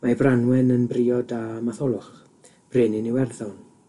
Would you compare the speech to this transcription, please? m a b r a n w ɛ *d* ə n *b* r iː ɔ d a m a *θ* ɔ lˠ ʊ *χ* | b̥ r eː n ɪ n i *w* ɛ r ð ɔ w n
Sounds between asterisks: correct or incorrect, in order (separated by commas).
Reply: incorrect, correct, correct, correct, correct